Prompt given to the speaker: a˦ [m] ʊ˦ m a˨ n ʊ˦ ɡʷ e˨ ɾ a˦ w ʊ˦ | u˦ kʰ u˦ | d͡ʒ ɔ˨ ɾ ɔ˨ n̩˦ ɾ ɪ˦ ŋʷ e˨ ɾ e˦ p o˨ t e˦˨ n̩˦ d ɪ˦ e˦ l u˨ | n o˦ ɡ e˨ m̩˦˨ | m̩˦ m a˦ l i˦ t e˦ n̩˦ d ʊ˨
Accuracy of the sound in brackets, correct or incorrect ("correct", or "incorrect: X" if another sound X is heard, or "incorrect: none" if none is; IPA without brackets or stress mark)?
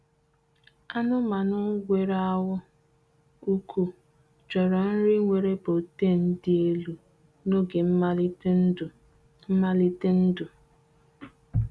incorrect: n